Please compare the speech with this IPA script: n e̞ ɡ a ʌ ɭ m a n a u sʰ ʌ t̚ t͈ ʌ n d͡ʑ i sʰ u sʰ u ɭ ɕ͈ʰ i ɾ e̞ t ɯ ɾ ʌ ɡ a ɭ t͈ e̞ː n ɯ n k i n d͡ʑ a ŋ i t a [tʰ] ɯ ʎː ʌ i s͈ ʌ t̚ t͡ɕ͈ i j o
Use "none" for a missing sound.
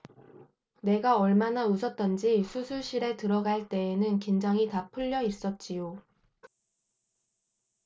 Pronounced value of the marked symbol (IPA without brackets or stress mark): pʰ